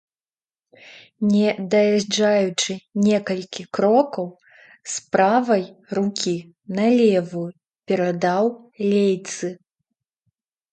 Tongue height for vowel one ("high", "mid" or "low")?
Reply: mid